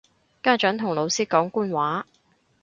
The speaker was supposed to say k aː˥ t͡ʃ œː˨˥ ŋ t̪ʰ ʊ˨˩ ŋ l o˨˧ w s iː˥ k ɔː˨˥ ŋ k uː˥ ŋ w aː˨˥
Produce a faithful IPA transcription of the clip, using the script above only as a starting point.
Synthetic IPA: k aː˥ t͡ʃ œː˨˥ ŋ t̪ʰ ʊ˨˩ ŋ l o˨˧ w s iː˥ k ɔː˨˥ ŋ k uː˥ n w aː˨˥